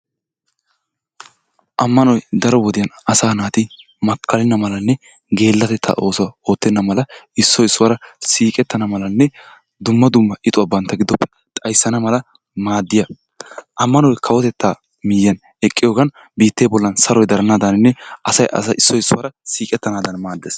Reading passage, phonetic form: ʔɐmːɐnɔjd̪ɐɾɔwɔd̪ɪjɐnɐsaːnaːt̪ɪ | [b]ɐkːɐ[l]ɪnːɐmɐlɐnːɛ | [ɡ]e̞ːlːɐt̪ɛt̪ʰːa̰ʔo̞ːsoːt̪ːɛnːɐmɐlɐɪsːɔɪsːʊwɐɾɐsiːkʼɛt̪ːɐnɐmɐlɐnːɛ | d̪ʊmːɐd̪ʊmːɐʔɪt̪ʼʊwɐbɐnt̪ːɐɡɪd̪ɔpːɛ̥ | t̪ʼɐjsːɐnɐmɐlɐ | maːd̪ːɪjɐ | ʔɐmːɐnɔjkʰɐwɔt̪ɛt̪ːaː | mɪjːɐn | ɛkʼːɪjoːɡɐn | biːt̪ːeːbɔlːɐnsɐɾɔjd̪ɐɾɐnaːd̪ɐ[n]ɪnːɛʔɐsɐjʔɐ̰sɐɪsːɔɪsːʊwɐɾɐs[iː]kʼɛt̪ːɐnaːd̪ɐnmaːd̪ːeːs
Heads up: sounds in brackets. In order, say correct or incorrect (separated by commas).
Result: incorrect, correct, correct, correct, correct